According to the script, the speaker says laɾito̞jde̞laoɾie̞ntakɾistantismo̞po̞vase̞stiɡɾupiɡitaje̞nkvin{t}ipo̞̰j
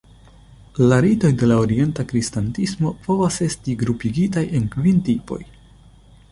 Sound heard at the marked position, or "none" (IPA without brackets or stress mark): t